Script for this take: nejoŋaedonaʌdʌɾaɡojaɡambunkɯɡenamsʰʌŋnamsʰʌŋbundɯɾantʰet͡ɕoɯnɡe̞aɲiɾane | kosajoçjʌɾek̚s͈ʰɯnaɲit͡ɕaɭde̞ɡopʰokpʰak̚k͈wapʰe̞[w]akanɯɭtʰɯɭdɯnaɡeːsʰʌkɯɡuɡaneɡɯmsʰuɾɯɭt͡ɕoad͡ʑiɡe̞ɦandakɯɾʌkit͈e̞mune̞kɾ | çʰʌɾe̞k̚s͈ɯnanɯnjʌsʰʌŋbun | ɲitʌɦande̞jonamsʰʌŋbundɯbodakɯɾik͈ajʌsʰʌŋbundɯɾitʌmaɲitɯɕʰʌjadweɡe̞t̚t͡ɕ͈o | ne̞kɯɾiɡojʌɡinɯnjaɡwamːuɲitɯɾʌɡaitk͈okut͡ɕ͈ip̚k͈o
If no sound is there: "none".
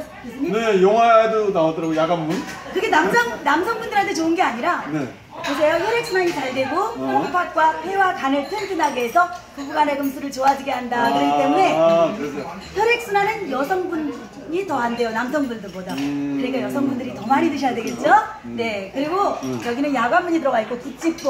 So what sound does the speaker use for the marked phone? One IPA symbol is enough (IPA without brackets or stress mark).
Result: w